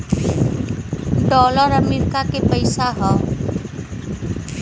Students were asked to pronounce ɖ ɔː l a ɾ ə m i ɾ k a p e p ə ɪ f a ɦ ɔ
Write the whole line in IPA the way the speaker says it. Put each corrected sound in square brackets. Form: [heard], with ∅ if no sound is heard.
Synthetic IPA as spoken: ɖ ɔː l [ə] ɾ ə m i ɾ k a [k] e p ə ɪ [s] a ɦ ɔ